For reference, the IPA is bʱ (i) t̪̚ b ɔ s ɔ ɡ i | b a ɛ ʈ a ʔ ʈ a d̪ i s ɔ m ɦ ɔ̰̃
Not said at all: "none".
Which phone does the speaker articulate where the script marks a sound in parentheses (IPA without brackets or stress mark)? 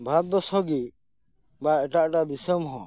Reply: a